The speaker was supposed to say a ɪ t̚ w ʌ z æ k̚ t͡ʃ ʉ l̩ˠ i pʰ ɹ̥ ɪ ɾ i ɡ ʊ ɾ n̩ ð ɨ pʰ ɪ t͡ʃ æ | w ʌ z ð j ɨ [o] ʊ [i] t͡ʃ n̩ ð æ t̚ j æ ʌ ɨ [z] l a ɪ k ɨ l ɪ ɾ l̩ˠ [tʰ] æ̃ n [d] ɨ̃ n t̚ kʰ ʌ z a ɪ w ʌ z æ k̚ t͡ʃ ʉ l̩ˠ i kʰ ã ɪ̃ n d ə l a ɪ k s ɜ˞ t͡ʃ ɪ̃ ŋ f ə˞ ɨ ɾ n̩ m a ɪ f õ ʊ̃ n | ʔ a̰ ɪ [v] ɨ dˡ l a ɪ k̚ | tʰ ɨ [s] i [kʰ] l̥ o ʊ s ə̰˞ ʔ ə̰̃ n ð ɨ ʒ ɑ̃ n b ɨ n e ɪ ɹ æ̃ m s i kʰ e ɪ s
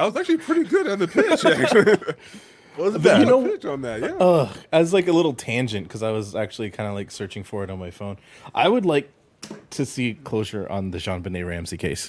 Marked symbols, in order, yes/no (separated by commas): yes, no, yes, yes, no, no, yes, yes